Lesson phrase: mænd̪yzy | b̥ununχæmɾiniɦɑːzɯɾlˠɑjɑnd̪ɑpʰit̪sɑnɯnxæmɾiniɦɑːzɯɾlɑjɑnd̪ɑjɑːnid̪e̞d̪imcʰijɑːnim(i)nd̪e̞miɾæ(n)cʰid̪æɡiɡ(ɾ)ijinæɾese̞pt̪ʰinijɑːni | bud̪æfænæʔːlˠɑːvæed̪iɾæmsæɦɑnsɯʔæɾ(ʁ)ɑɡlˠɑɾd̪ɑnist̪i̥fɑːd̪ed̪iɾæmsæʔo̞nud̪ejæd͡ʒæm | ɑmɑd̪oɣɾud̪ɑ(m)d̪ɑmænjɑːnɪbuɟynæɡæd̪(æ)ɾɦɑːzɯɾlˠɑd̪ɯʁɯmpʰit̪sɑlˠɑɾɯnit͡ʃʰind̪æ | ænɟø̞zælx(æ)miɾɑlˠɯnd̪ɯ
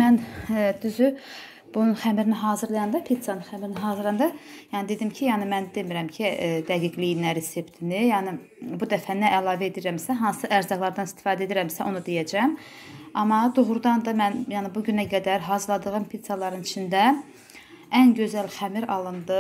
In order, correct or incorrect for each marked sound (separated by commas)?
incorrect, incorrect, incorrect, incorrect, incorrect, correct, correct